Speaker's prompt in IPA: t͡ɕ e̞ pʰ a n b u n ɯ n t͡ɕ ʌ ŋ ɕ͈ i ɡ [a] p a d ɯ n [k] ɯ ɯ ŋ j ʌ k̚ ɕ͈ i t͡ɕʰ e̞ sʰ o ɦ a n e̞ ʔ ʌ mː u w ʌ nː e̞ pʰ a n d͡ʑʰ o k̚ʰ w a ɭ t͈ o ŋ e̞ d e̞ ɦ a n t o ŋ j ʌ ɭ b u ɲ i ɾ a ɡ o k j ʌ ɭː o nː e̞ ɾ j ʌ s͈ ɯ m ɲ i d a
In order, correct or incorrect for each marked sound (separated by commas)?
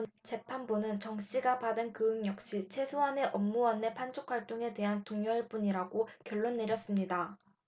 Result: correct, correct